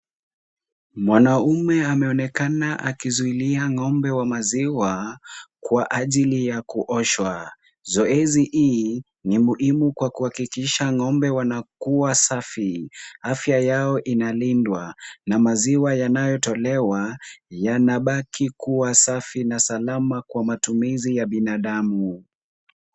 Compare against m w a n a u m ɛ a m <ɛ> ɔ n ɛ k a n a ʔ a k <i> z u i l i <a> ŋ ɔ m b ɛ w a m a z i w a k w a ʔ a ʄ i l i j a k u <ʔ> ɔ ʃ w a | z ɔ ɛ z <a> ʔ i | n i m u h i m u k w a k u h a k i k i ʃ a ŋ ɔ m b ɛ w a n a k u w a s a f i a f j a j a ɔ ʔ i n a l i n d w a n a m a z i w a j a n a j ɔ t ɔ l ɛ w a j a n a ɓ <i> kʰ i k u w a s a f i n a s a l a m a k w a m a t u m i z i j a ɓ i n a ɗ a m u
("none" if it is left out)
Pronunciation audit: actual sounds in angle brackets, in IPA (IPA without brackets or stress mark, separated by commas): ɛ, i, a, ʔ, i, a